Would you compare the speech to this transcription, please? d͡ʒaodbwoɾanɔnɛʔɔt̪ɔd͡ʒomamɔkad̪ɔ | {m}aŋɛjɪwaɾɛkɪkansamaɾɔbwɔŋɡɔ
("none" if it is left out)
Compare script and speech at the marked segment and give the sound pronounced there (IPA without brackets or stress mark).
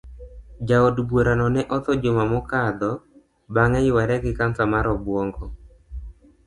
b